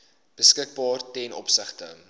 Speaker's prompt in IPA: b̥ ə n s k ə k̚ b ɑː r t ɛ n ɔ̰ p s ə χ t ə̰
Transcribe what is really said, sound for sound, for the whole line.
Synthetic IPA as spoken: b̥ ə s k ə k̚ b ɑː r t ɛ n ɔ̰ p s ə χ t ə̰